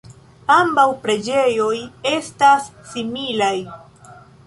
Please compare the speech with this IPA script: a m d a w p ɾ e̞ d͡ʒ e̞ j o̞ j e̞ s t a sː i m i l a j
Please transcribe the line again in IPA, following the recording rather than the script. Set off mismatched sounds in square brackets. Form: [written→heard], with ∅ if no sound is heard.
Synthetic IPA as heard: a m [d→b] a w p ɾ e̞ d͡ʒ e̞ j o̞ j e̞ s t a sː i m i l a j